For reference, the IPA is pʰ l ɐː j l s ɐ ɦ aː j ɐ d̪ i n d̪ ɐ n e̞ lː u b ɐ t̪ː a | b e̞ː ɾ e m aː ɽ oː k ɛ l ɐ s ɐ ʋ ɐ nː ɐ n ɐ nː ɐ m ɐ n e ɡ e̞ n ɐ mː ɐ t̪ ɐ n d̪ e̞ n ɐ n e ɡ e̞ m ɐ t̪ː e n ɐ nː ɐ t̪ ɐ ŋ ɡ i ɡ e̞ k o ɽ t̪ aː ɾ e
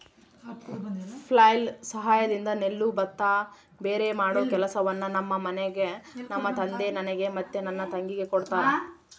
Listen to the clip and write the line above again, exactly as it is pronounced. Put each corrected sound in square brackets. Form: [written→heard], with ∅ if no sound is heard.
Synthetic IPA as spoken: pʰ l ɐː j l s ɐ ɦ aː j ɐ d̪ i n d̪ ɐ n e̞ lː u b ɐ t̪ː a | b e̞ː ɾ e m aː ɽ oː k ɛ l ɐ s ɐ ʋ ɐ nː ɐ n ɐ [nː→mː] ɐ m ɐ n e ɡ e̞ n ɐ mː ɐ t̪ ɐ n d̪ e̞ n ɐ n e ɡ e̞ m ɐ t̪ː e n ɐ nː ɐ t̪ ɐ ŋ ɡ i ɡ e̞ k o ɽ t̪ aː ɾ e